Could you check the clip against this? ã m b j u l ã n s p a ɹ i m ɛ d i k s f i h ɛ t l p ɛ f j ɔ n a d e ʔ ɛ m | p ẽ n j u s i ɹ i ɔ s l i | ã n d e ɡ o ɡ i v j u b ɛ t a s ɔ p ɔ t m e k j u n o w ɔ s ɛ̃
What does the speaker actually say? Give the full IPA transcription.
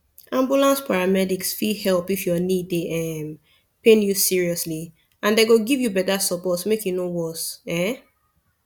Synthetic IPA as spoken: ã m b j u l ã n s p a ɹ a m ɛ d i k s f i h ɛ l p i f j ɔ n i d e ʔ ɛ m | p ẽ n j u s i ɹ i ɔ s l i | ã n d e ɡ o ɡ i v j u b ɛ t a s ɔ p ɔ t m e k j u n o w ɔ s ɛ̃

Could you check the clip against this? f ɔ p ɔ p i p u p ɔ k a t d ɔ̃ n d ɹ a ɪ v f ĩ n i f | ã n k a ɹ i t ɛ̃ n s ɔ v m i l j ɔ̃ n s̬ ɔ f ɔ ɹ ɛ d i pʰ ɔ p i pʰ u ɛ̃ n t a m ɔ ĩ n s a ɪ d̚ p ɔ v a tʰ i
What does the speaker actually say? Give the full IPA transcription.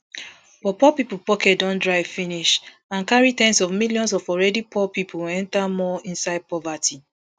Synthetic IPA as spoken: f ɔ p ɔ p i p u p ɔ k ɛ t d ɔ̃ n d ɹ a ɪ v f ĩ n i ʃ | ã n k a ɹ i t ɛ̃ n s ɔ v m i l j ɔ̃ n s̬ ɔ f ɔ ɹ ɛ d i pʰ ɔ p i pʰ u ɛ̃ n t a m ɔ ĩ n s a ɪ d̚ p ɔ v a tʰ i

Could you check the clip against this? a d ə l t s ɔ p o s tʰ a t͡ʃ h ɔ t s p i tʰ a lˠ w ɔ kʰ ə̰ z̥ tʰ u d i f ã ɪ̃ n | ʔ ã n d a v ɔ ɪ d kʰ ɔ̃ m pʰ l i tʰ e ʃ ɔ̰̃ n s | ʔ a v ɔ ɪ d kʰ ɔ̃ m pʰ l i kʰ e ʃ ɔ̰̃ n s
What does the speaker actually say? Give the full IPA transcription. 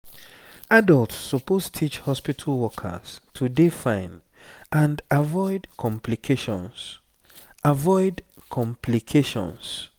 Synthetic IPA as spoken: a d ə l t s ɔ p o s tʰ i t͡ʃ h ɔ s p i tʰ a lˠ w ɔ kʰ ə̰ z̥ tʰ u d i f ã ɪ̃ n | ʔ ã n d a v ɔ ɪ d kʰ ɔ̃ m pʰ l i kʰ e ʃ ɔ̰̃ n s | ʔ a v ɔ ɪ d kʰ ɔ̃ m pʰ l i kʰ e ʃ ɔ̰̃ n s

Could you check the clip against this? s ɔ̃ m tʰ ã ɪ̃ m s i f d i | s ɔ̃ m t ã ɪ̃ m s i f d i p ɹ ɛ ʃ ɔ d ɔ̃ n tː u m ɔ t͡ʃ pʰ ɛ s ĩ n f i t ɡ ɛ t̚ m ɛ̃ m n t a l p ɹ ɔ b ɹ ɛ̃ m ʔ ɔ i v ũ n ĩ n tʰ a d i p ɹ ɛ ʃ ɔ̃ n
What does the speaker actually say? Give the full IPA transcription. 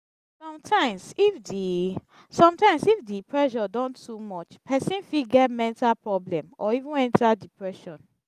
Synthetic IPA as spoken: s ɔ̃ m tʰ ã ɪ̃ m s i f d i | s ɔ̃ m t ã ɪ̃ m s i f d i p ɹ ɛ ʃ ɔ d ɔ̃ n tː u m ɔ t͡ʃ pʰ ɛ s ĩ n f i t ɡ ɛ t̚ m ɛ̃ n t a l p ɹ ɔ b l ɛ̃ m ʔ ɔ i v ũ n ɛ̃ n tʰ a d i p ɹ ɛ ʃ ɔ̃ n

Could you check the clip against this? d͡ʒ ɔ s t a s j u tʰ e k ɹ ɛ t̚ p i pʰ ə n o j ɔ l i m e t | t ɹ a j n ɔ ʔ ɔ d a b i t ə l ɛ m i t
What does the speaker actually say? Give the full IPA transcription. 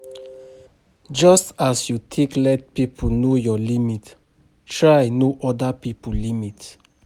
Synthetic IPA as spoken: d͡ʒ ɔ s t a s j u tʰ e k l ɛ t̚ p i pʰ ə n o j ɔ l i m i t | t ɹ a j n o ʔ ɔ d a p i p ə l i m i t

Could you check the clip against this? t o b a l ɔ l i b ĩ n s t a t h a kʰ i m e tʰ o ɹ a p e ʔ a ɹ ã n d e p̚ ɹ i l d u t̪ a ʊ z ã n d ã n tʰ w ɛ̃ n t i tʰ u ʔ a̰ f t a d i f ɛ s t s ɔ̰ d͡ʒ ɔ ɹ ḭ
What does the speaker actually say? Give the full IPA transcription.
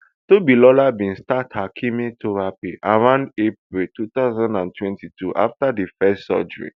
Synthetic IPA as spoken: t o b i l ɔ l a b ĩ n s t a t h a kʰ i m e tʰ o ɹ a p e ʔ a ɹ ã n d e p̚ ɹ i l t u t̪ a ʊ z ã n d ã n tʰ w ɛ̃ n t i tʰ u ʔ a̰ f t a d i f ɛ s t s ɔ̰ d͡ʒ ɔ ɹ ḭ

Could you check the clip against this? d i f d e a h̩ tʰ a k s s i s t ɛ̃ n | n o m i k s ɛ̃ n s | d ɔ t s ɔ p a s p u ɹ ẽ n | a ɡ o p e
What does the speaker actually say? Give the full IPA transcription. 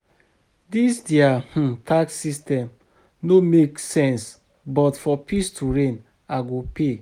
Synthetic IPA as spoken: d i s d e a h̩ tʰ a k s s i s t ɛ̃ m | n o m e k s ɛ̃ n s | b ɔ t f ɔ p i s t u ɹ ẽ n | a ɡ o p e

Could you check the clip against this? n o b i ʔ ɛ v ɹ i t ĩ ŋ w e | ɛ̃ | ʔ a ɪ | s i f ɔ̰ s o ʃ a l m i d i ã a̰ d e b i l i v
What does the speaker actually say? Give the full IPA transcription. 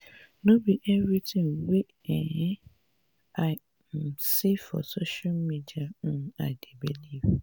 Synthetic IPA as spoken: n o b i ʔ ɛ v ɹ i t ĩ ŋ w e | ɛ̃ | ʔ a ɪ | s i f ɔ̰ s o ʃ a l m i d i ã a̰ d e b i l i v

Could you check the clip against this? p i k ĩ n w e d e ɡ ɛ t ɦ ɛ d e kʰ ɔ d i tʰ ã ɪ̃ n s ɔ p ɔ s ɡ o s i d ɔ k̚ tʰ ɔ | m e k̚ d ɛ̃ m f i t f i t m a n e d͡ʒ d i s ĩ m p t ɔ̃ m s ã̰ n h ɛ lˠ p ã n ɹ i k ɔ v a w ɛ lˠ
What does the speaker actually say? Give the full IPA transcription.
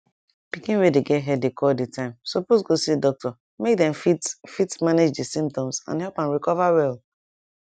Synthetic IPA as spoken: p i k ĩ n w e d e ɡ ɛ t ɦ ɛ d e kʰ ɔ d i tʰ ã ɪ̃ m s ɔ p o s ɡ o s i d ɔ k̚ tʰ ɔ | m e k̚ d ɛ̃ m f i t f i t m a n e d͡ʒ d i s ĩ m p t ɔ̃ m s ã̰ n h ɛ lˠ p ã n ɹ i k ɔ v a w ɛ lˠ

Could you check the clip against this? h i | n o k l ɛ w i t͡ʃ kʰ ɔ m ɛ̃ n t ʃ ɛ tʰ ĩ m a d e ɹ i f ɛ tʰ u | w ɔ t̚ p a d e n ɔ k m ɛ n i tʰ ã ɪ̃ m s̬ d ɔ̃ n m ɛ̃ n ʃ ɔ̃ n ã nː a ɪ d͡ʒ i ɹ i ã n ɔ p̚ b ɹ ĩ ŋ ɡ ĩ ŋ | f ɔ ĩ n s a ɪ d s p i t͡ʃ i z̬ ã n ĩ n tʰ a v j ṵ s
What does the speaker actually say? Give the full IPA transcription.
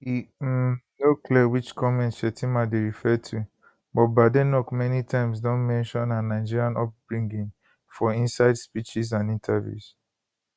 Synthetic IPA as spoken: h i | n o k l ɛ w i t͡ʃ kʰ ɔ m ɛ̃ n t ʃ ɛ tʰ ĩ m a d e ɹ i f ɛ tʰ u | b ɔ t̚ b a d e n ɔ k m ɛ n i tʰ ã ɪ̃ m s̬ d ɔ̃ n m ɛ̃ n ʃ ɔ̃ n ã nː a ɪ d͡ʒ i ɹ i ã n ɔ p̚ b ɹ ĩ ŋ ɡ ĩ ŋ | f ɔ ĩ n s a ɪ d s p i t͡ʃ i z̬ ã n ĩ n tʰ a v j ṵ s

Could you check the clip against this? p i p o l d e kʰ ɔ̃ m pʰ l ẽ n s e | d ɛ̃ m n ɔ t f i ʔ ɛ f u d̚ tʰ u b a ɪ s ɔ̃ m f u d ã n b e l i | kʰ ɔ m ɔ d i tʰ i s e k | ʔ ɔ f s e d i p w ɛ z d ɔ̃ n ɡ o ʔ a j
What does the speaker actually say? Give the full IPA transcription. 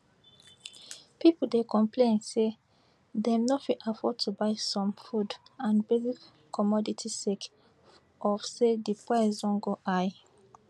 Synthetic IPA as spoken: p i p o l d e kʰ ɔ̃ m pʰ l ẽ n s e | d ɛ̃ m n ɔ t f i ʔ a f ɔ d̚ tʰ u b a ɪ s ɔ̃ m f u d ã n b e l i | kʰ ɔ m ɔ d i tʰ i s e k | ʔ ɔ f s e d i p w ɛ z d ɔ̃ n ɡ o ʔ a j

